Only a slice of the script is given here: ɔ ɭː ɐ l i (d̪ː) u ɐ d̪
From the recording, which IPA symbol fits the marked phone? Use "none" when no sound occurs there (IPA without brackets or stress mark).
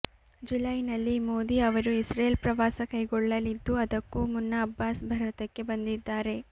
d̪ː